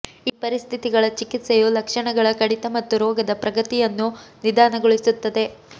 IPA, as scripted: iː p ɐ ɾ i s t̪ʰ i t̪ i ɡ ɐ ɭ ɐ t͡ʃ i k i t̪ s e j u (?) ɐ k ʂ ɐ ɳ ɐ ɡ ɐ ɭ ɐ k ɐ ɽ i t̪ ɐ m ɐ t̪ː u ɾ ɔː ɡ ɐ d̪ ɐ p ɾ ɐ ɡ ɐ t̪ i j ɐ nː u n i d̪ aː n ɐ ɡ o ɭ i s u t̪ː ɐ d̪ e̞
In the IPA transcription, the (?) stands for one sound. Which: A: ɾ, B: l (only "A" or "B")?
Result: B